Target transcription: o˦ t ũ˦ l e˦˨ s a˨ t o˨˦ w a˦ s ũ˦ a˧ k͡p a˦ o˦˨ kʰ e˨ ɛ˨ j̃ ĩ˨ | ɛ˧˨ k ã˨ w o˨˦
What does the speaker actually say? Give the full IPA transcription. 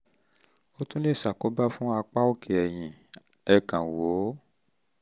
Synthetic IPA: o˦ t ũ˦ l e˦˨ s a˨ k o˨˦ b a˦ f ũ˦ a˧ k͡p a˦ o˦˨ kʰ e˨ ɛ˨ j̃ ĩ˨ | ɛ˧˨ k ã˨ w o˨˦